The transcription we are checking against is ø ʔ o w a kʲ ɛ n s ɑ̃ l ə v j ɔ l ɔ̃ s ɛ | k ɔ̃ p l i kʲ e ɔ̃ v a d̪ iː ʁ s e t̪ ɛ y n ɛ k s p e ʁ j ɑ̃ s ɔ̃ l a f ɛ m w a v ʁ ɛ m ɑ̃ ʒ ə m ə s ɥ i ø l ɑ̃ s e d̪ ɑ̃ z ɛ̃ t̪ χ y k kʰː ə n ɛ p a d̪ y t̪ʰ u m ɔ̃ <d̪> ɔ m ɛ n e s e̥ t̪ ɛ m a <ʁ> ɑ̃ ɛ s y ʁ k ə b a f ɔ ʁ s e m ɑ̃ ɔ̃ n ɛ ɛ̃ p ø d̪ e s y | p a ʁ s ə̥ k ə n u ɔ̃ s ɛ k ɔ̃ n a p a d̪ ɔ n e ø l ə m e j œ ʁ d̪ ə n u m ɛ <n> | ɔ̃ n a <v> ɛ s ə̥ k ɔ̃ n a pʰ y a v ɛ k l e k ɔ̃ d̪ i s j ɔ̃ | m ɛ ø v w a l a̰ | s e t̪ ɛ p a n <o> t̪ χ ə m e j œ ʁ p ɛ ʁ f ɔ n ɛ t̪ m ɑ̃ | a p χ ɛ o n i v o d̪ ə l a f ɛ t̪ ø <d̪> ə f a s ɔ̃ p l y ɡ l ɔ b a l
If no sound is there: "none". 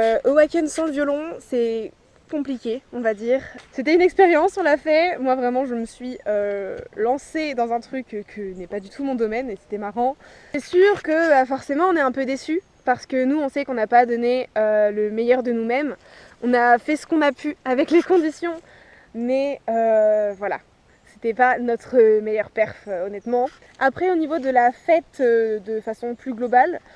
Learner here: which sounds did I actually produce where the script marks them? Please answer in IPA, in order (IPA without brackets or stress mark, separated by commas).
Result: d̪, ʁ, m, f, ɔ, d̪